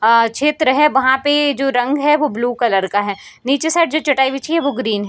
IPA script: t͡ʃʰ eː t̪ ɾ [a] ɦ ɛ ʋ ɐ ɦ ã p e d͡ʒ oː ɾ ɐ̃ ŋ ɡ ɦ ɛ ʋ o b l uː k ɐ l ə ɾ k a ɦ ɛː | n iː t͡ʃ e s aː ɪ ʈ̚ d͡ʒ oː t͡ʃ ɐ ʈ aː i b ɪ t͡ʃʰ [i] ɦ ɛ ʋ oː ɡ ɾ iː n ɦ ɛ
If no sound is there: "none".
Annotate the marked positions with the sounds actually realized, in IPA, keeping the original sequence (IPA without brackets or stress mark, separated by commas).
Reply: ə, i